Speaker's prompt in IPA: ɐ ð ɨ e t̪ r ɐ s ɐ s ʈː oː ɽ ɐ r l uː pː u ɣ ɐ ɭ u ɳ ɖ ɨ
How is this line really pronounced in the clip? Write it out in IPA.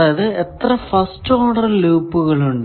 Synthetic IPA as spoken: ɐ ð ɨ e t̪ r ɐ f ɐ s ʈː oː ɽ ɐ r l uː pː u ɣ ɐ ɭ u ɳ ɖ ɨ